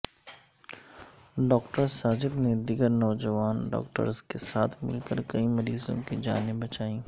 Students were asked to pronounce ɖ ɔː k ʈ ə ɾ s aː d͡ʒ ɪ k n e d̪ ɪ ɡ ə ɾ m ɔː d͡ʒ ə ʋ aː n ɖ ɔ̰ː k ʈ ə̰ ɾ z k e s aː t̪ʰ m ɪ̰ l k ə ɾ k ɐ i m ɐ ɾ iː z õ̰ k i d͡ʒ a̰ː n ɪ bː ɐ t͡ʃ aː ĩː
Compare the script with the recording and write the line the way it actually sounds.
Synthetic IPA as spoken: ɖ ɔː k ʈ ə ɾ s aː d͡ʒ ɪ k n e d̪ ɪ ɡ ə ɾ n ɔː d͡ʒ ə ʋ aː n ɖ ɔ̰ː k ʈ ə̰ ɾ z k e s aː t̪ʰ m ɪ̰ l k ə ɾ k ɐ i m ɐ ɾ iː z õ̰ k i d͡ʒ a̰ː n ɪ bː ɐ t͡ʃ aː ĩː